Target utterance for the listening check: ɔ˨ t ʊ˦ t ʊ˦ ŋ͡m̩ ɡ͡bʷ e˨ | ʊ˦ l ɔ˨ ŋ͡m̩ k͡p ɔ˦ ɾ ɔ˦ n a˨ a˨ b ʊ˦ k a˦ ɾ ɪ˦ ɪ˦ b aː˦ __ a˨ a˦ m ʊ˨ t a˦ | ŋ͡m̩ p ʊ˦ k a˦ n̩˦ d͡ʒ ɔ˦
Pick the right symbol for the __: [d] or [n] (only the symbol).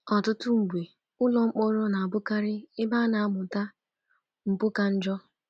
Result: n